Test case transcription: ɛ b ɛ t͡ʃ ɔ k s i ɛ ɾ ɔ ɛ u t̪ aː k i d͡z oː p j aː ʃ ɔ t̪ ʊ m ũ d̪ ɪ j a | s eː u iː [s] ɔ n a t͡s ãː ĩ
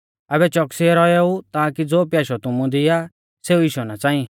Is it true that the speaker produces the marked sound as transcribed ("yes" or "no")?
no